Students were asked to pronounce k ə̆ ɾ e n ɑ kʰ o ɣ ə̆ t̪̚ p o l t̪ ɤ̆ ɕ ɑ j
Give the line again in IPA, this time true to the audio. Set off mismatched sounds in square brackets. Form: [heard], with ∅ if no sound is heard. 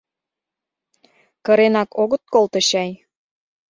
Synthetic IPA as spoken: k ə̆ ɾ e n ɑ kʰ o ɣ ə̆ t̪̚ [k] o l t̪ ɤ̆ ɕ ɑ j